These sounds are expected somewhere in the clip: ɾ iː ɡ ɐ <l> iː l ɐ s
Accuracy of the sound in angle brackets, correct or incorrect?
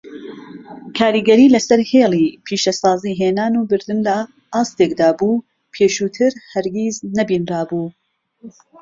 incorrect